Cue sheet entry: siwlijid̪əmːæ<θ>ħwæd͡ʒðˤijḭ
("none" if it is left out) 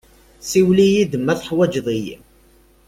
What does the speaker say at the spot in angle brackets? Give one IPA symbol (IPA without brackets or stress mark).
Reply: θ